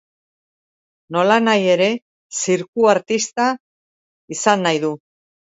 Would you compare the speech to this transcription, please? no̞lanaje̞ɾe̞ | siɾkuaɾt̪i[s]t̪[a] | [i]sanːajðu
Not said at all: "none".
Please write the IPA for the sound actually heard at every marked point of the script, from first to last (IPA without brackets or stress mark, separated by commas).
s, a, i